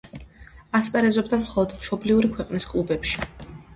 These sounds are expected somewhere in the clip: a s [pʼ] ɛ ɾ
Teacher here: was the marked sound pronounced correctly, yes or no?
yes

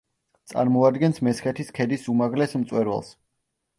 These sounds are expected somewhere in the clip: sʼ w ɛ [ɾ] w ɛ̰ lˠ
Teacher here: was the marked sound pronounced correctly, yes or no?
yes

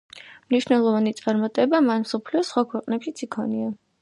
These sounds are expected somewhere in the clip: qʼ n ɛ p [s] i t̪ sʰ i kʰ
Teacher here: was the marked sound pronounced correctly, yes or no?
no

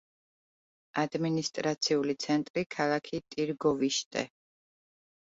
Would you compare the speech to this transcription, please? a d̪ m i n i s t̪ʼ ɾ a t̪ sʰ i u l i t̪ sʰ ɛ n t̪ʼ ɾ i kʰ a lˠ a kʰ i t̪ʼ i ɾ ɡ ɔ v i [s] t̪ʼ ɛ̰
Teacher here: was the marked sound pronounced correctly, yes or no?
no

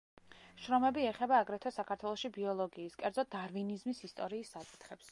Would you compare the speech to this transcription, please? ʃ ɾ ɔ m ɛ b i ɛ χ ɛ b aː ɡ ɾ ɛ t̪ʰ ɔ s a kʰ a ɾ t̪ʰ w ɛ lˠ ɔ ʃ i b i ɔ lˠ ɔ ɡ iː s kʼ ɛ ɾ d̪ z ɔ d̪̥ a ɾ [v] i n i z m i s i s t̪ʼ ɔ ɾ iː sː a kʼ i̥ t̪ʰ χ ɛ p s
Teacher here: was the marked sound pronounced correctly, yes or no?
yes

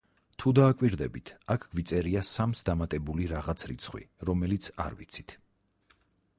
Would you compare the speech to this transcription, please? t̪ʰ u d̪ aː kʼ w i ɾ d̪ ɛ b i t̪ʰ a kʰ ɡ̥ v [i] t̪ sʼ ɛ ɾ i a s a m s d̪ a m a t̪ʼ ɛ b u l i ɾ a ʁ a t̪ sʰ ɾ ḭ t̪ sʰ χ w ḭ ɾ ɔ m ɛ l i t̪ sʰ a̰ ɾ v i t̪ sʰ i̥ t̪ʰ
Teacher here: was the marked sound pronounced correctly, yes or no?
yes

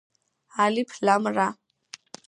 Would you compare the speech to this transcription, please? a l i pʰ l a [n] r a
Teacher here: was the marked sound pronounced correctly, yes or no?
no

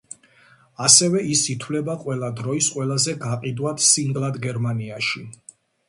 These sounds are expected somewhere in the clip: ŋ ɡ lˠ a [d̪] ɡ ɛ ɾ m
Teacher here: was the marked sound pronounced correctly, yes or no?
yes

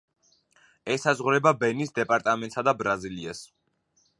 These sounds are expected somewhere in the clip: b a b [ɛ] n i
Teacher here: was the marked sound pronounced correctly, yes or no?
yes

